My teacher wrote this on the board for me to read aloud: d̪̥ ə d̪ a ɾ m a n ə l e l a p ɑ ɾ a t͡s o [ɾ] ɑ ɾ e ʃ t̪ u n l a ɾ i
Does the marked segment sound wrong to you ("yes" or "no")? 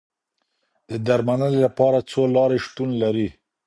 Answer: yes